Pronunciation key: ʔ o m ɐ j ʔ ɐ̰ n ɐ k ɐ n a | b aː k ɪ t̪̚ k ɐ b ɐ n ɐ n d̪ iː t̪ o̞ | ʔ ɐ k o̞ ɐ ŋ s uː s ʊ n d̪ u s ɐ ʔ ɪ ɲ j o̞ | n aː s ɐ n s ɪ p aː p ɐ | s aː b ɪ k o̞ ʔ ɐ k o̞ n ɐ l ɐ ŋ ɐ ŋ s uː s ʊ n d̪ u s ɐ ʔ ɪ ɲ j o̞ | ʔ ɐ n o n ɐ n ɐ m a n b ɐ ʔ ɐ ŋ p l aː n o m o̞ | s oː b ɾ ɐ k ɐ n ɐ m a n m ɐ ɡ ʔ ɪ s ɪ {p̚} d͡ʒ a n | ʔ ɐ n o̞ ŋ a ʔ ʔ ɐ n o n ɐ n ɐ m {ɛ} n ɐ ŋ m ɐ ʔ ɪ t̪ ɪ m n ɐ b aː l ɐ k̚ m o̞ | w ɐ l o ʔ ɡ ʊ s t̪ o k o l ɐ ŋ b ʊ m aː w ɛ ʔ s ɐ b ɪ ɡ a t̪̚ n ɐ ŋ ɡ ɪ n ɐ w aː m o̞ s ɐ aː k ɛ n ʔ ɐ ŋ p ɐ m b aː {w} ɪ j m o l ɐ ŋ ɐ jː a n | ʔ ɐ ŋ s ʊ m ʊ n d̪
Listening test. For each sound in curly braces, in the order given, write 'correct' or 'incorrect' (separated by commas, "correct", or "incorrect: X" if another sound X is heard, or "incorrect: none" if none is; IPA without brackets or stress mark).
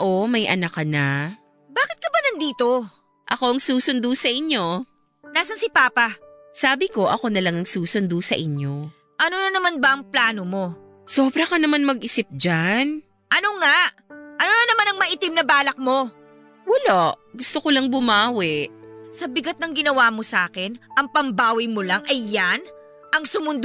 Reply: correct, incorrect: a, correct